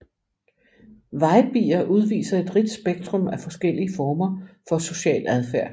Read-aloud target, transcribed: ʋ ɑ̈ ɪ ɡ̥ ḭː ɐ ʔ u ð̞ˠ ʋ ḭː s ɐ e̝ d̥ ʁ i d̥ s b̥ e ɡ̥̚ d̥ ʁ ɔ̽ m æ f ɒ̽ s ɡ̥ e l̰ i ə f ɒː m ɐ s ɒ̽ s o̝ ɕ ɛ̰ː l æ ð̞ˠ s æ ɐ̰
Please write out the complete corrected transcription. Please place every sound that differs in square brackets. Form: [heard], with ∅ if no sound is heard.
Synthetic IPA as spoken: ʋ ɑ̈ ɪ [b̥] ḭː ɐ ʔ u ð̞ˠ ʋ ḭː s ɐ e̝ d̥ ʁ i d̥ s b̥ e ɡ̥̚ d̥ ʁ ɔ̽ m æ f ɒ̽ s ɡ̥ e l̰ i ə f ɒː m ɐ [f] ɒ̽ s o̝ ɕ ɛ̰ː l æ ð̞ˠ [f] æ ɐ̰

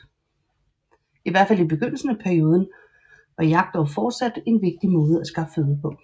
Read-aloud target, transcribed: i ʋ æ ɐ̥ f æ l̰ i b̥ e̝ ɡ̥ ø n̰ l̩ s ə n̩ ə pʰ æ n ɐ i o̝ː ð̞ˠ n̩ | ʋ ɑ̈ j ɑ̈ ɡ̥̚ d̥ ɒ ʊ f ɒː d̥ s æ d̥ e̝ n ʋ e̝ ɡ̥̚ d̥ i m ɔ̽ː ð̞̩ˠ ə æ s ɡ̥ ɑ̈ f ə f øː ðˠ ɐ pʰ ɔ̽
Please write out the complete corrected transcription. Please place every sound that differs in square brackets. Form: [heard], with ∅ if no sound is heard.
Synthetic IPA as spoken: i ʋ æ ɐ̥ f æ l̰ i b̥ e̝ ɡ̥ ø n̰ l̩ s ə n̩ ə pʰ æ [∅] ɐ i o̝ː ð̞ˠ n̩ | ʋ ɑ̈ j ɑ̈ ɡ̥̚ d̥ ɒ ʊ f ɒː d̥ s æ d̥ e̝ n ʋ e̝ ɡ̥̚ d̥ i m ɔ̽ː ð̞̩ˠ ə æ s ɡ̥ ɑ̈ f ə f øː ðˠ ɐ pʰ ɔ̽

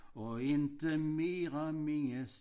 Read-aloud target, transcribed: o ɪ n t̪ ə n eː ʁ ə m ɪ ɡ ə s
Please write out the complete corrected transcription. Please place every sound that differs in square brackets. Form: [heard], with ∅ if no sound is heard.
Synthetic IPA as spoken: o ɪ n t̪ ə [m] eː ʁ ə m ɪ [ŋ] ə s

